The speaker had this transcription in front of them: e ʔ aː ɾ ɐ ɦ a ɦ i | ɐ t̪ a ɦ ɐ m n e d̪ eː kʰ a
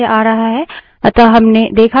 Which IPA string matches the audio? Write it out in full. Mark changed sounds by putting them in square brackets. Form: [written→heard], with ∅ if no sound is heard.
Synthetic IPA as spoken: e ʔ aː ɾ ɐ ɦ a ɦ [i→ɛ] | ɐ t̪ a ɦ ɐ m n e d̪ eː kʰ a